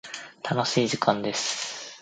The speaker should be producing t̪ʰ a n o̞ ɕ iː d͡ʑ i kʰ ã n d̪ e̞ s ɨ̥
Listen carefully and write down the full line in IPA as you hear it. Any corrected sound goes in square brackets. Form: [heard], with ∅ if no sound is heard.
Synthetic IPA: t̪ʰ a n o̞ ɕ iː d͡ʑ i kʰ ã n d̪ e̞ s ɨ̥